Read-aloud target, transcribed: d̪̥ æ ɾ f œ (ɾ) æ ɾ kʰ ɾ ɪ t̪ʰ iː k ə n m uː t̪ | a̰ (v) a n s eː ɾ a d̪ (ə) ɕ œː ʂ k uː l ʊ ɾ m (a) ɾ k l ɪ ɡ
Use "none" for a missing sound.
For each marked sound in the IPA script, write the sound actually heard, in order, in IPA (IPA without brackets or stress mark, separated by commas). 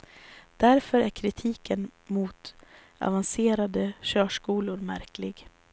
ɾ, v, ə, æ